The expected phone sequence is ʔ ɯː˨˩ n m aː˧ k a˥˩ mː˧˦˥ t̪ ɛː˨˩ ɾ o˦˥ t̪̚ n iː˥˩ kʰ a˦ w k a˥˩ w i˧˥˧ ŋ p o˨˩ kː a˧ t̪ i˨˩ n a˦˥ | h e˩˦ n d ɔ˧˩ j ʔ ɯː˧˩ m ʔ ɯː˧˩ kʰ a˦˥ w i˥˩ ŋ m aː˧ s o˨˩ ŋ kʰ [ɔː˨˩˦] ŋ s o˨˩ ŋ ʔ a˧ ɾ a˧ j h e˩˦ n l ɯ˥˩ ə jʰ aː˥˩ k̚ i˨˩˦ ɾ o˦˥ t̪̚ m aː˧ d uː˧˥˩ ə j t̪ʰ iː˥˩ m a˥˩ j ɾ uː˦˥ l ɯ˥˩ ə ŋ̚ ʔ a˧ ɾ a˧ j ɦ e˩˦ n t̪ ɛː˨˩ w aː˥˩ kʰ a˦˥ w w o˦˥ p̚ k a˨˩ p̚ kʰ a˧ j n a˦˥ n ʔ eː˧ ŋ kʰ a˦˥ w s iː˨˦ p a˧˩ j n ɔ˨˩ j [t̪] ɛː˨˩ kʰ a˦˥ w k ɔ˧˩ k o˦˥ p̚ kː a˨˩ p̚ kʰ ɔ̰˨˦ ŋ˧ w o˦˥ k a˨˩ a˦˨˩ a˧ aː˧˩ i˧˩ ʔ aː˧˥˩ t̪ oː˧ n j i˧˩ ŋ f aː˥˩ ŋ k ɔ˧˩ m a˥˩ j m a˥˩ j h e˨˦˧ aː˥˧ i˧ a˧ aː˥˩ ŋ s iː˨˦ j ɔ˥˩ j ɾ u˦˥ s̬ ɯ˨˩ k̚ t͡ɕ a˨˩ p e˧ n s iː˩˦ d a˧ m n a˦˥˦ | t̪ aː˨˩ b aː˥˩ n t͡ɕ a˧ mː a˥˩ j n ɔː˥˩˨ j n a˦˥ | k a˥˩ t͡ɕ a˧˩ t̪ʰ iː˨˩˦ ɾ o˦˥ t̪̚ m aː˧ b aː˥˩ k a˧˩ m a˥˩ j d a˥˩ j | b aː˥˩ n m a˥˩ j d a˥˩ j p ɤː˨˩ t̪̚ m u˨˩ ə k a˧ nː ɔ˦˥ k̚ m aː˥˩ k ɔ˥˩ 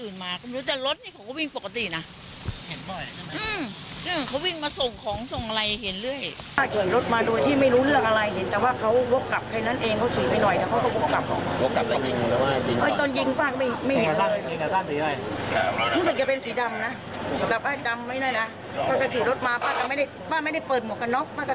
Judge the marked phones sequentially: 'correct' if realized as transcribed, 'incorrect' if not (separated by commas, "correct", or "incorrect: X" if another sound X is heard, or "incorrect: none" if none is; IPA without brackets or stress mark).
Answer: correct, correct